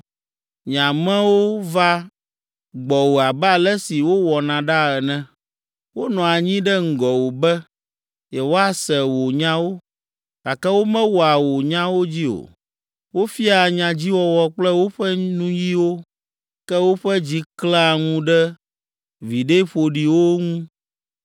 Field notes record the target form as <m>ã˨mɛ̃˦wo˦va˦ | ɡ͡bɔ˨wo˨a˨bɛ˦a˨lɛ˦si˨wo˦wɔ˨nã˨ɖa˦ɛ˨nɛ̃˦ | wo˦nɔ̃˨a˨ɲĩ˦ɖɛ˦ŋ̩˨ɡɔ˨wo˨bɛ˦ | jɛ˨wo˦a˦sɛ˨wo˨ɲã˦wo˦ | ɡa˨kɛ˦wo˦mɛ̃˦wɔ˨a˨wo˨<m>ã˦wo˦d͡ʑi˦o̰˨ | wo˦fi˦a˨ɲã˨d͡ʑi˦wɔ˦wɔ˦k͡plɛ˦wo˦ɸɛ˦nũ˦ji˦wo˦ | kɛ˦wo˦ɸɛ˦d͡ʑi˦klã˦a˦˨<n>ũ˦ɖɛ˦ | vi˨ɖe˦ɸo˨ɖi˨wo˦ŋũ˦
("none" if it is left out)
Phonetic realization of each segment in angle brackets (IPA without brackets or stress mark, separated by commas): ɲ, ɲ, ŋ